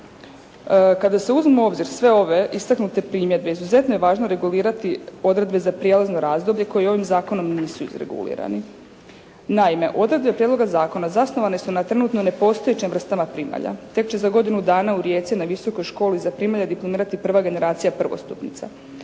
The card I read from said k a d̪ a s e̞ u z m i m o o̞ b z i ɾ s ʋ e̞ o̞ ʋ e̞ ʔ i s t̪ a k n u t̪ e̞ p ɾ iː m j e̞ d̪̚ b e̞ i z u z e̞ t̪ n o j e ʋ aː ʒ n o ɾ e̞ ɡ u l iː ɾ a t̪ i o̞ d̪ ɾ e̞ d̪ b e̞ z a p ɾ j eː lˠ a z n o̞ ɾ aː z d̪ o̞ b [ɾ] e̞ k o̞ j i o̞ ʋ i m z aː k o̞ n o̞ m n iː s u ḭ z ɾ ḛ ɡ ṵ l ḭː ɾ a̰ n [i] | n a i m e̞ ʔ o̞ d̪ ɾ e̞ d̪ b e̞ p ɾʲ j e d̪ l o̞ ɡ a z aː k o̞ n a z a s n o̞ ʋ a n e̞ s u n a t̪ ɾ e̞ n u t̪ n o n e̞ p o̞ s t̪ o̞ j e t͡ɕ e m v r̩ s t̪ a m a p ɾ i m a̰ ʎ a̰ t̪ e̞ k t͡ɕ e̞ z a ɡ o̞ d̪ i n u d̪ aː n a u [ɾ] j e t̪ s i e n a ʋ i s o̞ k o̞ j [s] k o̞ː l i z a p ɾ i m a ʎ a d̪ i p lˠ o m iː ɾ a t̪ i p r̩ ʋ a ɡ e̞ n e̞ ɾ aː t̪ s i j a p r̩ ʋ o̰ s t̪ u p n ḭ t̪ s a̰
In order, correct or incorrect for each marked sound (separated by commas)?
incorrect, correct, correct, incorrect